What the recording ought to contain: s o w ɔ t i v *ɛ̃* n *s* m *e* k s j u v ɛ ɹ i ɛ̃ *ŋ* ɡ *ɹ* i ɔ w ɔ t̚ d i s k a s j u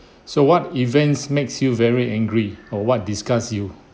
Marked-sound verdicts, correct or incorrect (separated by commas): correct, correct, correct, correct, correct